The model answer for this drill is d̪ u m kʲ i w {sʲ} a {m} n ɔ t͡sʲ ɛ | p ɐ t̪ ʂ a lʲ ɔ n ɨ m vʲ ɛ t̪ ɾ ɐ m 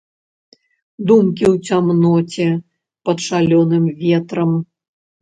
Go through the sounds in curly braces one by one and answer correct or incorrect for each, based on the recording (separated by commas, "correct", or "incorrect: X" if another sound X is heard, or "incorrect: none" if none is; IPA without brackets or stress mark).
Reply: incorrect: t͡sʲ, correct